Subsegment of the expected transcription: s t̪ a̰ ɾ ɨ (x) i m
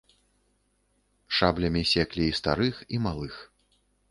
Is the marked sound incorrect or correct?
correct